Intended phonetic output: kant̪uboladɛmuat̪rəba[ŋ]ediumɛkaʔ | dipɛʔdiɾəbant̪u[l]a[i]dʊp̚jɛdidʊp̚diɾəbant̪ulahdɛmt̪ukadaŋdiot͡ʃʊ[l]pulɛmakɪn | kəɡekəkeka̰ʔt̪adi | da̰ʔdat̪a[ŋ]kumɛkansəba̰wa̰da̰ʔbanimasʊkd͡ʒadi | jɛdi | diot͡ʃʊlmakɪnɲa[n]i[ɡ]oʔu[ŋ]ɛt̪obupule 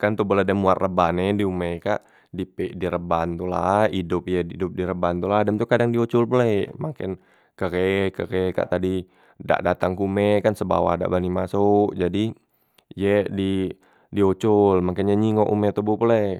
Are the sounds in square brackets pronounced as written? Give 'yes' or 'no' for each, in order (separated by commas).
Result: no, yes, yes, yes, yes, no, no, no